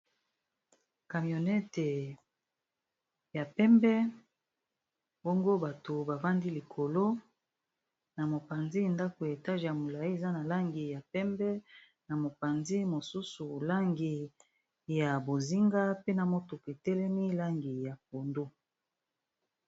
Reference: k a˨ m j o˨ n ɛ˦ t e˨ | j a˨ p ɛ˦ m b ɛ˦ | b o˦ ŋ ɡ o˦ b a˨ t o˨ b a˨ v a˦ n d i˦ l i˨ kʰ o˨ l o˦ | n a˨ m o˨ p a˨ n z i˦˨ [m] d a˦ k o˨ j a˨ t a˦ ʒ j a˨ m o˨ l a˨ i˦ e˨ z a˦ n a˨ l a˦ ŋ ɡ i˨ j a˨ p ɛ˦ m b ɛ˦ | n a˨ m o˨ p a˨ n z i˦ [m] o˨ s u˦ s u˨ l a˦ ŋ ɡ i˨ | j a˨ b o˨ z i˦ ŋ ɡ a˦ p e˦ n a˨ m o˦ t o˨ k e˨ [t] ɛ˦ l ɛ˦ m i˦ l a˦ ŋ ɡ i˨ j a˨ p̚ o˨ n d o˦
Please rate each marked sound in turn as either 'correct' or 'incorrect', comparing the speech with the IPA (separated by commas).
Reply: incorrect, correct, correct